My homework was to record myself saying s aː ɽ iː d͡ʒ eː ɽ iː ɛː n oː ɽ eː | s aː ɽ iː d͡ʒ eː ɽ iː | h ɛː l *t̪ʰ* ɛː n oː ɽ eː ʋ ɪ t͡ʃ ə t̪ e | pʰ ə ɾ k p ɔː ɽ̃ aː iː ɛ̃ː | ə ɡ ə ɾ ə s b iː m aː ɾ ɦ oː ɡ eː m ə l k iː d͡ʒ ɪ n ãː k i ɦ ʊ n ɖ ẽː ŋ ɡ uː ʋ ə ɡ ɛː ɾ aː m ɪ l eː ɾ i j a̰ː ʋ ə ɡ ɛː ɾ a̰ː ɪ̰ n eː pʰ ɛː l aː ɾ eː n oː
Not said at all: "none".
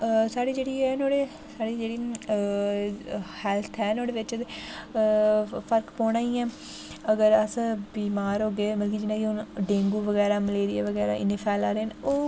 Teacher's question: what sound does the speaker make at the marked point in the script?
t̪ʰ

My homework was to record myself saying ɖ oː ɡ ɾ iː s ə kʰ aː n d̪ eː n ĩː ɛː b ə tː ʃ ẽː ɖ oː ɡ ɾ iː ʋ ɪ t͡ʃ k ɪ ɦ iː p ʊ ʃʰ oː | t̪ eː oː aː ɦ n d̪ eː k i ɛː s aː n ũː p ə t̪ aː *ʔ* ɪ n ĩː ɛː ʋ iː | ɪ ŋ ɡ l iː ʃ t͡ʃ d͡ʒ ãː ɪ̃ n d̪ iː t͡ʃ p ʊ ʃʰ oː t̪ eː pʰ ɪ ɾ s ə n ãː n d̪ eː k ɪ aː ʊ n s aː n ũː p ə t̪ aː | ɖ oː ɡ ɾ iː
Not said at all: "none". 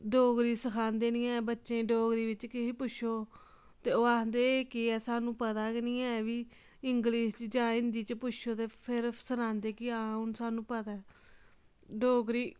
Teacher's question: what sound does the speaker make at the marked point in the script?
k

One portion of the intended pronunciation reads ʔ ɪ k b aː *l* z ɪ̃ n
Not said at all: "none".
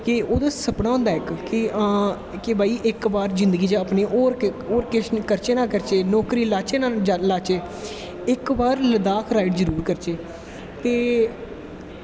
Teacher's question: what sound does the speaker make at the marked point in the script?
ɾ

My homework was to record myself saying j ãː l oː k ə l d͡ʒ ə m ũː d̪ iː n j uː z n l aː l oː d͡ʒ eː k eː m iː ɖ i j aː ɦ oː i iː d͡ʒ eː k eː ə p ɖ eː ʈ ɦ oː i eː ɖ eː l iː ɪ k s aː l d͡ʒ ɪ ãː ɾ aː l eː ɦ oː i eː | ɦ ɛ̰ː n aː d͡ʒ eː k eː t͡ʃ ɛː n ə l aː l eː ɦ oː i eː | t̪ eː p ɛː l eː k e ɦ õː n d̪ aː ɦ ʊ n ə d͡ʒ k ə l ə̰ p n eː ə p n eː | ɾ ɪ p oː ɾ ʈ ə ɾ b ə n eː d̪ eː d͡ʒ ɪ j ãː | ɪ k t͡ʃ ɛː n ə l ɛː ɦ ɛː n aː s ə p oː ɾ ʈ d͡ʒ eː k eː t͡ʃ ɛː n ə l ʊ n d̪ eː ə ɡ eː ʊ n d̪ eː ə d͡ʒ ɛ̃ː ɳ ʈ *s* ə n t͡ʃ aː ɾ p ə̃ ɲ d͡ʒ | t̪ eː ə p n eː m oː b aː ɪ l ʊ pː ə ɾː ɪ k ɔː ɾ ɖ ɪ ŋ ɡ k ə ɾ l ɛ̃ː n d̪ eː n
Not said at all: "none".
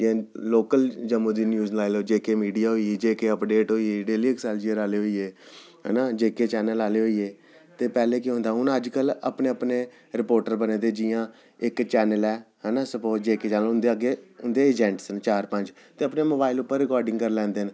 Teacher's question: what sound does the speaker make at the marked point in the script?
s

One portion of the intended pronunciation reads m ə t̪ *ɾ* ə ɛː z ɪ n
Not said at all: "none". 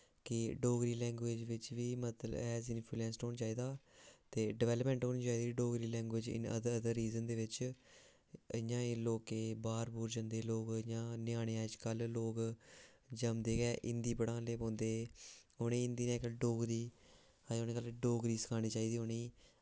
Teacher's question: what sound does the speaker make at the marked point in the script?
l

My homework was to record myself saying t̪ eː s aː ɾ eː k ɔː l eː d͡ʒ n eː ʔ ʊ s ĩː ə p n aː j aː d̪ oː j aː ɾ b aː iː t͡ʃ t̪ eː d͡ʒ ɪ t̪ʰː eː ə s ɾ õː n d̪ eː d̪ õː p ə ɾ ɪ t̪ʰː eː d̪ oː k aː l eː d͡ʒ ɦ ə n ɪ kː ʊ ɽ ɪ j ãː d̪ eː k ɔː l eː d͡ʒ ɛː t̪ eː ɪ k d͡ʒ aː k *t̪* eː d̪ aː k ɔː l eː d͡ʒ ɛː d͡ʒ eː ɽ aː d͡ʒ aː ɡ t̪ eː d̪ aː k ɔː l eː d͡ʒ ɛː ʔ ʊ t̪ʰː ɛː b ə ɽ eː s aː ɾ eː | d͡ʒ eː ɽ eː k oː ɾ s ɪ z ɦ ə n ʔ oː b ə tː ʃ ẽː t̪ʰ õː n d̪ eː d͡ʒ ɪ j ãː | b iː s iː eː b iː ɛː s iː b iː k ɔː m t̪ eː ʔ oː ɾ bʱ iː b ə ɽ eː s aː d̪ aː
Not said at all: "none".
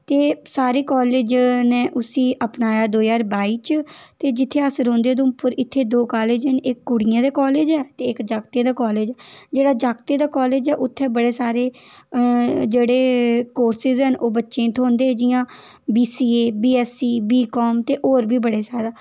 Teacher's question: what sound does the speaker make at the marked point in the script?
t̪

